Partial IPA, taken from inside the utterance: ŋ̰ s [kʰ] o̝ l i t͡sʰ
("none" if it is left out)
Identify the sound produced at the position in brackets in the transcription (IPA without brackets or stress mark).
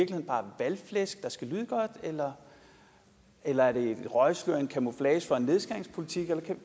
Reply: pʰ